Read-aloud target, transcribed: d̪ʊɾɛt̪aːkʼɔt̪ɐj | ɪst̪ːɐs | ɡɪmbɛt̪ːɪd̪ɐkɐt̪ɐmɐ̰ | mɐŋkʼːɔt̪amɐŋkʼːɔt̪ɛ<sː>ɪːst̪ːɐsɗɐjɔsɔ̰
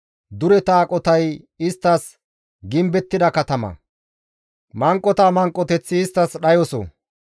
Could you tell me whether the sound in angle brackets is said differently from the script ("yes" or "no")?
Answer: yes